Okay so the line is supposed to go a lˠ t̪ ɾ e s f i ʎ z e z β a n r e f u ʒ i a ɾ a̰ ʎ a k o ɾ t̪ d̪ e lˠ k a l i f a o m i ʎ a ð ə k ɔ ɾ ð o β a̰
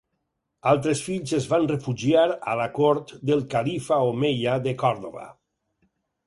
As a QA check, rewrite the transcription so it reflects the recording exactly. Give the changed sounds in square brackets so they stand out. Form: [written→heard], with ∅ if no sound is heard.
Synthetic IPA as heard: a lˠ t̪ ɾ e s f i ʎ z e z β a n r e f u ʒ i a ɾ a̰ [ʎ→l] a k o ɾ t̪ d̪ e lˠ k a l i f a o m [i→e] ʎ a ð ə k ɔ ɾ ð o β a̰